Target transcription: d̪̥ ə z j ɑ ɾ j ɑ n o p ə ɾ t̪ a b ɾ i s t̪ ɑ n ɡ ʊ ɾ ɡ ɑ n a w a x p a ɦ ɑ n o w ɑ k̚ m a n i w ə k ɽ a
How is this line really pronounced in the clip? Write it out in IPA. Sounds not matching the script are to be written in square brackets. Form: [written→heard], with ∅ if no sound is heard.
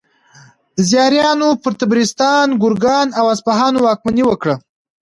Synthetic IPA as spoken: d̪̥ ə z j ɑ ɾ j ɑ n o p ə ɾ t̪ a b ɾ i s t̪ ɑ n ɡ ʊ ɾ ɡ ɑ n a w a [x→s] p a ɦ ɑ n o w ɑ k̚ m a n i w ə k ɽ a